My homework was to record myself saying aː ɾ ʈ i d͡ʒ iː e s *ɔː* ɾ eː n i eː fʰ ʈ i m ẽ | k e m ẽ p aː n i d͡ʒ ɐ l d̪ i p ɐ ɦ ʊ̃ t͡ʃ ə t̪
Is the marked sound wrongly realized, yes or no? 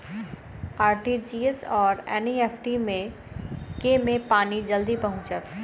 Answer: no